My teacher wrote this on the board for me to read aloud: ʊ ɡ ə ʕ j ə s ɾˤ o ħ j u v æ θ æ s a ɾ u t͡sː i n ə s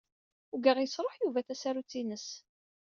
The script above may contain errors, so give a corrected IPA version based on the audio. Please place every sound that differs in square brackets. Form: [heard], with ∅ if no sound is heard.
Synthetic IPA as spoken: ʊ ɡ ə [ʁ] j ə s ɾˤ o ħ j u v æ θ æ s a ɾ u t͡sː i n ə s